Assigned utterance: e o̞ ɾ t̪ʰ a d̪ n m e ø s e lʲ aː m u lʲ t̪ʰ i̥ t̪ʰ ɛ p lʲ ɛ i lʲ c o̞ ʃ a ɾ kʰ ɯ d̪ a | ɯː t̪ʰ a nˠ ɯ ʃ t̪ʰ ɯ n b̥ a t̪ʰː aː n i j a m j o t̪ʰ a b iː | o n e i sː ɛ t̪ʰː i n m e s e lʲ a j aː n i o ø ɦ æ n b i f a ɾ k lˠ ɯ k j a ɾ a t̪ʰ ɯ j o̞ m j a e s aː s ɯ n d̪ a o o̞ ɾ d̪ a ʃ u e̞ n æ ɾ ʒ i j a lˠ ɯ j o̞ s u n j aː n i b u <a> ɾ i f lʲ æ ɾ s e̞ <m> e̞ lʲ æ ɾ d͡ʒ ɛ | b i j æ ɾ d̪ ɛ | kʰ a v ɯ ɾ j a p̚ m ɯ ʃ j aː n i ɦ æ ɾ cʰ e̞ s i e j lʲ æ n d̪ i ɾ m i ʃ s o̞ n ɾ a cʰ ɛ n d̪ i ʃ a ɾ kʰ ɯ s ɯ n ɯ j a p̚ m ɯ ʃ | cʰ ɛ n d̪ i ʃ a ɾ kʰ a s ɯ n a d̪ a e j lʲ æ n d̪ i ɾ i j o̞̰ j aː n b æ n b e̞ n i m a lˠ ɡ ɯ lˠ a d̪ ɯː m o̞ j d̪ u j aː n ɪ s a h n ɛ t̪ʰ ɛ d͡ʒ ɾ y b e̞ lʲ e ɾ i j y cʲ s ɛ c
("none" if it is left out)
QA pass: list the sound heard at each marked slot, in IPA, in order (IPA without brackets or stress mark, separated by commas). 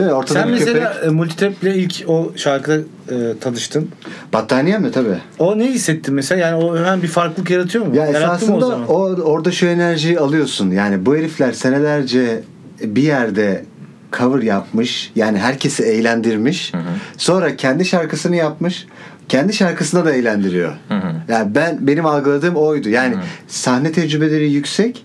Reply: e, n